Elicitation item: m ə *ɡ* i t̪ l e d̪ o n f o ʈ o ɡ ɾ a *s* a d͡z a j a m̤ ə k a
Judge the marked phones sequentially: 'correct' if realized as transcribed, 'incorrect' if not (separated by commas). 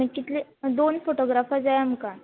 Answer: incorrect, incorrect